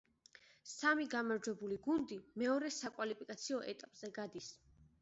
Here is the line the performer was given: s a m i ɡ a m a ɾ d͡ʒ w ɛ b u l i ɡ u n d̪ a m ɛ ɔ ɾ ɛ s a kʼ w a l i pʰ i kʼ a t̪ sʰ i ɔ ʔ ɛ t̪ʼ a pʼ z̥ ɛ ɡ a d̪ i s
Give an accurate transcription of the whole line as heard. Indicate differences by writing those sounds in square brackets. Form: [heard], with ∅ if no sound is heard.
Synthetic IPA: s a m i ɡ a m a ɾ d͡ʒ w ɛ b u l i ɡ u n d̪ [i] m ɛ ɔ ɾ ɛ s a kʼ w a l i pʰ i kʼ a t̪ sʰ i ɔ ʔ ɛ t̪ʼ a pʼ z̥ ɛ ɡ a d̪ i s